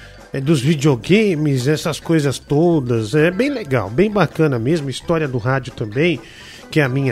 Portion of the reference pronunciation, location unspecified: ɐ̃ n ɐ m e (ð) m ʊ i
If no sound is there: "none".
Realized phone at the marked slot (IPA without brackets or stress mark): z